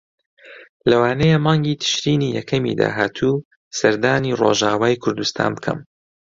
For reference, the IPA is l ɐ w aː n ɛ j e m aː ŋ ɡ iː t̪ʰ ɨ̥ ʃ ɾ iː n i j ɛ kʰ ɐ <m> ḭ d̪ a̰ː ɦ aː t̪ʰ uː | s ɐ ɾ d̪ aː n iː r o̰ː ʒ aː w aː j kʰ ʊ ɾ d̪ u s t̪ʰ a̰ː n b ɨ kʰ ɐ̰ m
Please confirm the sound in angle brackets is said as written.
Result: yes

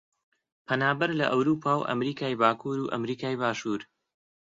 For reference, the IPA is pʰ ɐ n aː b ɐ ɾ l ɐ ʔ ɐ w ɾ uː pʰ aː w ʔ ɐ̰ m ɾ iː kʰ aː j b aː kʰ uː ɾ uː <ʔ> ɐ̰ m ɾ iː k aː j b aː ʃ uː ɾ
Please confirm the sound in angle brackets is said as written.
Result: yes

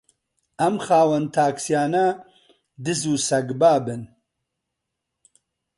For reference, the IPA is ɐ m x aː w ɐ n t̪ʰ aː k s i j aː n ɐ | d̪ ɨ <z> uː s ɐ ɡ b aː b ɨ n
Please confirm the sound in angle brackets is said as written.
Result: yes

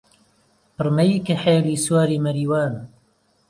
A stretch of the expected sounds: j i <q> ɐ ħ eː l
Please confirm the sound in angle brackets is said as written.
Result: no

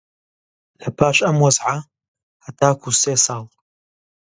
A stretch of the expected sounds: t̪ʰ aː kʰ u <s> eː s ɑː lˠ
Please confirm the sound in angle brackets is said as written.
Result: yes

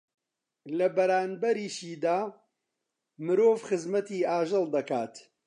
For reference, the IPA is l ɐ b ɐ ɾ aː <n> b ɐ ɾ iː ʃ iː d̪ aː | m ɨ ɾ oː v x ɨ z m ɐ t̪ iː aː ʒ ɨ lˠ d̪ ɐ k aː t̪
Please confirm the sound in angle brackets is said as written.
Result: yes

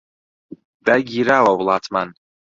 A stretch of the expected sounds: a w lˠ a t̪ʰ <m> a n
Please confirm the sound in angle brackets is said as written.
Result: yes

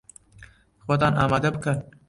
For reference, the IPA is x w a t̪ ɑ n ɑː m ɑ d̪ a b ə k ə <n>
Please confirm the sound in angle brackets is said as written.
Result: yes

